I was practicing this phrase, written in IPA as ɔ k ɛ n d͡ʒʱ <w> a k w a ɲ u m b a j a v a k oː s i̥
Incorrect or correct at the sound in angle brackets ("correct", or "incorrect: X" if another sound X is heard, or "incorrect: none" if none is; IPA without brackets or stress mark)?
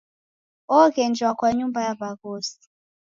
correct